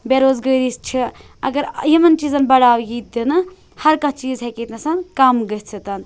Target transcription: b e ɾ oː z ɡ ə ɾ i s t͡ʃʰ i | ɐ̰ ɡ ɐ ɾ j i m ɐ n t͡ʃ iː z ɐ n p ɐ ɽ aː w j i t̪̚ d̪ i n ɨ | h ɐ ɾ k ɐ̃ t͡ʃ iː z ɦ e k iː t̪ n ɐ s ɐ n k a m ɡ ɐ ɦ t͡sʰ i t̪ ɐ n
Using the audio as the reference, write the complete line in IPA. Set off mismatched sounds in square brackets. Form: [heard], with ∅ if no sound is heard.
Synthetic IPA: b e ɾ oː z ɡ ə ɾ i s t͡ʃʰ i | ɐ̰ ɡ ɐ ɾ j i m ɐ n t͡ʃ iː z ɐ n [b] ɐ ɽ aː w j i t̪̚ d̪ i n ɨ | h ɐ ɾ k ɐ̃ t͡ʃ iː z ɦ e k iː t̪ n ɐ s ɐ n k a m ɡ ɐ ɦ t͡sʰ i t̪ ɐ n